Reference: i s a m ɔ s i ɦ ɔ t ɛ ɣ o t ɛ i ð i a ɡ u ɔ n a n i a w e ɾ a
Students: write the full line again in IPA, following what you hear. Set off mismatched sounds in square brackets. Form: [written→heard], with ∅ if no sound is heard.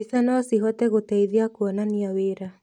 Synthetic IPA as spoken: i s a [m→n] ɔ s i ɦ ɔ t ɛ ɣ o t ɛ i ð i a [ɡ→k] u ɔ n a n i a w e ɾ a